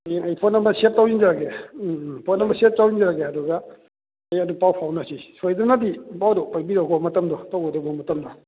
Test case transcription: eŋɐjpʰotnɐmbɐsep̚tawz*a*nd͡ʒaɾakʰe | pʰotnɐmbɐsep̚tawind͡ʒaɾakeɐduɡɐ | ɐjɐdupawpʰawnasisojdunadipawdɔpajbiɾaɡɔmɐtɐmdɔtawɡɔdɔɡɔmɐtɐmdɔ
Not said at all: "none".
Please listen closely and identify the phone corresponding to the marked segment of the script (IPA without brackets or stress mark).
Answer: i